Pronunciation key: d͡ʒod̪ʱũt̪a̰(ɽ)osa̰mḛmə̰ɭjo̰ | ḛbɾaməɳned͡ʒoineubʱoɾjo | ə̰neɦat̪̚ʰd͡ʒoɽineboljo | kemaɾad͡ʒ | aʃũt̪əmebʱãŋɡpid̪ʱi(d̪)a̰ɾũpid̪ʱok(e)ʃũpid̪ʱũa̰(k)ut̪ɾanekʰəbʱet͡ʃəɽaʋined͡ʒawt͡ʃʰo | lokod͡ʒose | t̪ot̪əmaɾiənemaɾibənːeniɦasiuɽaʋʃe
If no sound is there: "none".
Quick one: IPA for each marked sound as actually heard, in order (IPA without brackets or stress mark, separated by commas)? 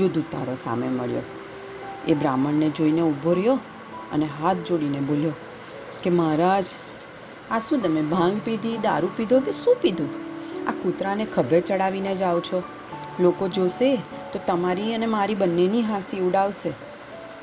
ɾ, d̪, e, k